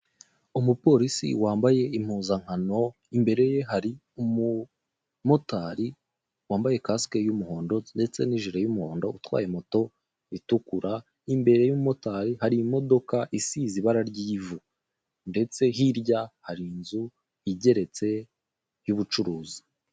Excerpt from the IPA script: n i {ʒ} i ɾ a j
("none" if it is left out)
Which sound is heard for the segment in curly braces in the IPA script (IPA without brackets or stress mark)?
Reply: ʒ